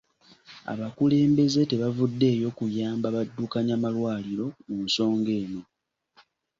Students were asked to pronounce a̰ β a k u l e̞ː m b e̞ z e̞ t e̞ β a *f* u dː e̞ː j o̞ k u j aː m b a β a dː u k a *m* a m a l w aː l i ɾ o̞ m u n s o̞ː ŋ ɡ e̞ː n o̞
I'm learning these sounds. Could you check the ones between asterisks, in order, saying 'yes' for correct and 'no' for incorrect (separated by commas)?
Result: no, no